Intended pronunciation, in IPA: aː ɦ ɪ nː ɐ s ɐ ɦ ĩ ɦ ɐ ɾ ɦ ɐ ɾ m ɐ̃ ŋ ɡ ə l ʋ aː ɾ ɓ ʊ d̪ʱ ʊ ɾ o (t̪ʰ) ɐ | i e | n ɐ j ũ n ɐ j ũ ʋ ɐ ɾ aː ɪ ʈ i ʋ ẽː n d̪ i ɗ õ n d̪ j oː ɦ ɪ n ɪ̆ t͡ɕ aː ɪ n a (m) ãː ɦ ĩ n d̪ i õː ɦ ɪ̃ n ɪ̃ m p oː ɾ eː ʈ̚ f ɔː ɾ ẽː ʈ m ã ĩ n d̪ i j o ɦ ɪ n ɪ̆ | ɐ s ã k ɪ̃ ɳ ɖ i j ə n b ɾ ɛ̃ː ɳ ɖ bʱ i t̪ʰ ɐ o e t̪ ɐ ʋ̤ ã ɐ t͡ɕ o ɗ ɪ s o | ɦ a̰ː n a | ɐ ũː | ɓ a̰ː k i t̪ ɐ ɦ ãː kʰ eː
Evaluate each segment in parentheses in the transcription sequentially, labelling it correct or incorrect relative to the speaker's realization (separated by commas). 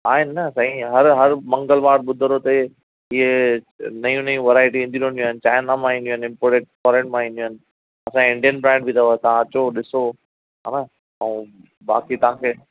incorrect, correct